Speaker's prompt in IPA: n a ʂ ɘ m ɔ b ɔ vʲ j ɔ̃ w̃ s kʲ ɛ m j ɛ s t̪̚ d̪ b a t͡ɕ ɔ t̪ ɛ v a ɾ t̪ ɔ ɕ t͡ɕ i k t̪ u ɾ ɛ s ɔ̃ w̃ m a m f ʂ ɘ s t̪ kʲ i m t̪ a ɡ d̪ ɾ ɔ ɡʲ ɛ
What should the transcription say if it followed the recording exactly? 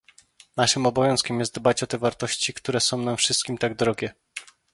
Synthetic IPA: n a ʂ ɘ m ɔ b ɔ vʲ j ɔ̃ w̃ s kʲ ɛ m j ɛ s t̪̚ d̪ b a t͡ɕ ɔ t̪ ɛ v a ɾ t̪ ɔ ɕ t͡ɕ i k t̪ u ɾ ɛ s ɔ̃ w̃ n a m f ʂ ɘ s t̪ kʲ i m t̪ a ɡ d̪ ɾ ɔ ɡʲ ɛ

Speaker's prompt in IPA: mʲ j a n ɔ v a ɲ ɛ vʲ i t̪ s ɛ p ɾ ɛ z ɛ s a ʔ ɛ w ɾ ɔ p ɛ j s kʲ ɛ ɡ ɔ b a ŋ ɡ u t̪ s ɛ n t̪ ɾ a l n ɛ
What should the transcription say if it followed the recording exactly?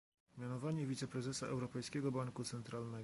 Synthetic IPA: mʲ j a n ɔ v a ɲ ɛ vʲ i t̪ s ɛ p ɾ ɛ z ɛ s a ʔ ɛ w ɾ ɔ p ɛ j s kʲ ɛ ɡ ɔ b a ŋ k u t̪ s ɛ n t̪ ɾ a l n ɛ

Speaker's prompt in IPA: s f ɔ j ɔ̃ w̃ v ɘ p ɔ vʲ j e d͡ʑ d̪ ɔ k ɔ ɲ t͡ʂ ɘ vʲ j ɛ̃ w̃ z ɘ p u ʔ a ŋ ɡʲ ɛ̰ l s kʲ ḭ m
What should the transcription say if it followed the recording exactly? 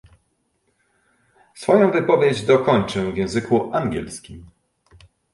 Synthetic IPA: s f ɔ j ɔ̃ w̃ v ɘ p ɔ vʲ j e d͡ʑ d̪ ɔ k ɔ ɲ t͡ʂ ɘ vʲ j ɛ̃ w̃ z ɘ k u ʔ a ŋ ɡʲ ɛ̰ l s kʲ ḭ m

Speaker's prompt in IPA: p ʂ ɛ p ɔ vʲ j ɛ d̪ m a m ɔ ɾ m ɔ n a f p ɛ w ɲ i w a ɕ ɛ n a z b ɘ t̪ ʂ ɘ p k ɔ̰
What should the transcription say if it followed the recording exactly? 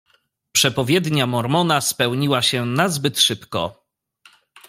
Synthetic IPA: p ʂ ɛ p ɔ vʲ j ɛ d̪ ɲ a m ɔ ɾ m ɔ n a s p ɛ w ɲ i w a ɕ ɛ n a z b ɘ t̪ ʂ ɘ p k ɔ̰

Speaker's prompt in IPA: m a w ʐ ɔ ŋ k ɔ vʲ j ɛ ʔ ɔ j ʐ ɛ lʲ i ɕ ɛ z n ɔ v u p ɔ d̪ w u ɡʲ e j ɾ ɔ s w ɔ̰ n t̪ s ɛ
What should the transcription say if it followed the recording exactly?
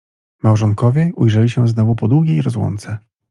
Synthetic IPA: m a w ʐ ɔ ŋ k ɔ vʲ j ɛ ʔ u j ʐ ɛ lʲ i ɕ ɛ z n ɔ v u p ɔ d̪ w u ɡʲ e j ɾ ɔ z w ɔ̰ n t̪ s ɛ

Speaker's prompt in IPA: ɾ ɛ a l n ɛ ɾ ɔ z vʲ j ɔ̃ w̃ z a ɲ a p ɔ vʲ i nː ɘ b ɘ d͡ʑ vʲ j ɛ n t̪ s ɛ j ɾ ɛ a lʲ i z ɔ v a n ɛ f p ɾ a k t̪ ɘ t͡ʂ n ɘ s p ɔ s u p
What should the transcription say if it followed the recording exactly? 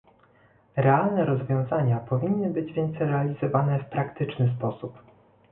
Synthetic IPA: ɾ ɛ a l n ɛ ɾ ɔ z vʲ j ɔ̃ w̃ z a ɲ a p ɔ vʲ i nː ɘ b ɘ d͡ʑ vʲ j ɛ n t̪ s ɛ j ɾ ɛ a lʲ i z ɔ v a n ɛ f p ɾ a k t̪ ɘ t͡ʂ n ɘ s p ɔ s u p

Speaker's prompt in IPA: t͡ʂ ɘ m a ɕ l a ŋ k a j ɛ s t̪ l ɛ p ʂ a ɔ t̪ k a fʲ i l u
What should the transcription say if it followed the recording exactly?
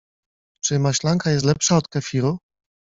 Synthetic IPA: t͡ʂ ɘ m a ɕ l a ŋ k a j ɛ s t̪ l ɛ p ʂ a ɔ t̪ k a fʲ i ɾ u

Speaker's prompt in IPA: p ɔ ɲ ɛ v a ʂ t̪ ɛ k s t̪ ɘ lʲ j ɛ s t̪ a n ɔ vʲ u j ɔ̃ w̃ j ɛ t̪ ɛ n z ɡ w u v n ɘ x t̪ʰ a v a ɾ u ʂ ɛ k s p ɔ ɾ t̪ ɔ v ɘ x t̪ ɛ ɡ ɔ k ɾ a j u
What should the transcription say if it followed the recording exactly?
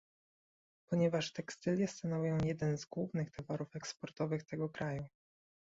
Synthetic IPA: p ɔ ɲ ɛ v a ʂ t̪ ɛ k s t̪ ɘ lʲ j ɛ s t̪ a n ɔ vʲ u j ɔ̃ w̃ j ɛ d̪ ɛ n z ɡ w u v n ɘ x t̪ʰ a v a ɾ u f ɛ k s p ɔ ɾ t̪ ɔ v ɘ x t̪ ɛ ɡ ɔ k ɾ a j u

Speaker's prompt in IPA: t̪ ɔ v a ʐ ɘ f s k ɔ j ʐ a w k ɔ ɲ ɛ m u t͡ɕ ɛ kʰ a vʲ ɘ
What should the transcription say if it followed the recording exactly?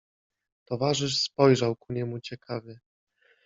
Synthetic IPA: t̪ ɔ v a ʐ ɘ ʂ s p ɔ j ʐ a w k u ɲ ɛ m u t͡ɕ ɛ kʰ a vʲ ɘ

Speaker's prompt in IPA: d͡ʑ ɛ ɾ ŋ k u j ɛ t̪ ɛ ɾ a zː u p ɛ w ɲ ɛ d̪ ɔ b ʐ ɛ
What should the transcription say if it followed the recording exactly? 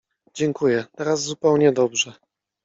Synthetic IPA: d͡ʑ ɛ ŋ k u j ɛ t̪ ɛ ɾ a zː u p ɛ w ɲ ɛ d̪ ɔ b ʐ ɛ

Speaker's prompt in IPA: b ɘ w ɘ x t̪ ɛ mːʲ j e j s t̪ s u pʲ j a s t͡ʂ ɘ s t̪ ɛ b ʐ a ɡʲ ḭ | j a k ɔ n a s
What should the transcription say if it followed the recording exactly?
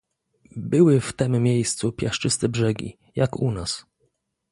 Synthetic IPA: b ɘ w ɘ f t̪ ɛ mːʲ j e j s t̪ s u pʲ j a ʂ t͡ʂ ɘ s t̪ ɛ b ʐ ɛ ɡʲ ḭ | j a k u n a s

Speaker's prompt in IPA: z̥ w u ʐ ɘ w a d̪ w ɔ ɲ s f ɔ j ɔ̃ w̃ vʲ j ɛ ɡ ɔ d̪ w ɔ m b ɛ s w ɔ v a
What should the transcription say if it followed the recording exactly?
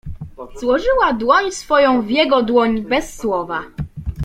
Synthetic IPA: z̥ w ɔ ʐ ɘ w a d̪ w ɔ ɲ s f ɔ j ɔ̃ w̃ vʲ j ɛ ɡ ɔ d̪ w ɔ ɲ b ɛ sː w ɔ v a

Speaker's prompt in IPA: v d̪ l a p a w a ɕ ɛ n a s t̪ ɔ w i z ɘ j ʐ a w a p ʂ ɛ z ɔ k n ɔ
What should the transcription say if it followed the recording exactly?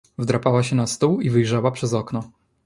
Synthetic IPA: v d̪ ɾ a p a w a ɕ ɛ n a s t̪ u w i v ɘ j ʐ a w a p ʂ ɛ z ɔ k n ɔ

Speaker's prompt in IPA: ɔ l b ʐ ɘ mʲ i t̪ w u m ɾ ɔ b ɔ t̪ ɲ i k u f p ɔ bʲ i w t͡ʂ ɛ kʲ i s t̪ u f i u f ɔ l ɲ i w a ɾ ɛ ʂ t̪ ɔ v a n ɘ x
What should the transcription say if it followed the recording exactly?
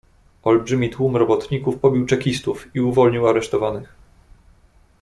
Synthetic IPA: ɔ l b ʐ ɘ mʲ i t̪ w u m ɾ ɔ b ɔ t̪ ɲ i k u f p ɔ bʲ i w t͡ʂ ɛ kʲ i s t̪ u f i u v ɔ l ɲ i w a ɾ ɛ ʂ t̪ ɔ v a n ɘ x

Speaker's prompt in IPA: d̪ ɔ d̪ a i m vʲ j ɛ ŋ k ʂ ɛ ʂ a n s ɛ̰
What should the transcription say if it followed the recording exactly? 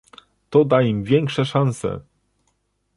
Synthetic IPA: t̪ ɔ d̪ a i m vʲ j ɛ ŋ k ʂ ɛ ʂ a n s ɛ̰

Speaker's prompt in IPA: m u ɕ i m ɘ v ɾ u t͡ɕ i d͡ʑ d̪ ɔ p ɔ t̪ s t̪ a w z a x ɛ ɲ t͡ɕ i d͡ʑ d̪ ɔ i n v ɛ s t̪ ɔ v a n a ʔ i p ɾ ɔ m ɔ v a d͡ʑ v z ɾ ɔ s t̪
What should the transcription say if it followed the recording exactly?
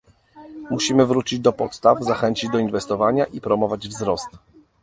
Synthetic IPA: m u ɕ i m ɘ v ɾ u t͡ɕ i d͡ʑ d̪ ɔ p ɔ t̪ s t̪ a v z a x ɛ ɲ t͡ɕ i d͡ʑ d̪ ɔ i n v ɛ s t̪ ɔ v a ɲ a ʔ i p ɾ ɔ m ɔ v a d͡ʑ v z ɾ ɔ s t̪

